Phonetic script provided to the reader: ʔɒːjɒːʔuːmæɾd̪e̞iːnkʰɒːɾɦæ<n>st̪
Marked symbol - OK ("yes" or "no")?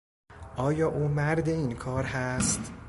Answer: no